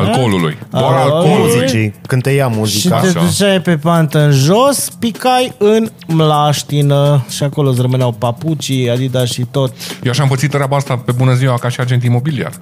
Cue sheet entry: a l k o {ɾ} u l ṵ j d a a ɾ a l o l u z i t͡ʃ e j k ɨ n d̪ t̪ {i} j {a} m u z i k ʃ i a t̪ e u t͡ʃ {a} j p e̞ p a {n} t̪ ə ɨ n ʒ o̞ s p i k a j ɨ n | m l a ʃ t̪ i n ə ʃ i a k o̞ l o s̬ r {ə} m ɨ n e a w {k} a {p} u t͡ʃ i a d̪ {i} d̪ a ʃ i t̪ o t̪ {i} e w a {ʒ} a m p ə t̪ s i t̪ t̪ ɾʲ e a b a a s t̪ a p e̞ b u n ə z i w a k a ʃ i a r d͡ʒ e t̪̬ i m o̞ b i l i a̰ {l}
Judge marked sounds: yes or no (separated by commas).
no, no, yes, yes, yes, yes, no, yes, yes, no, no, no